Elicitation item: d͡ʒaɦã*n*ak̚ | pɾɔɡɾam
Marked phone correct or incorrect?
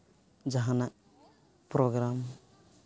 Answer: correct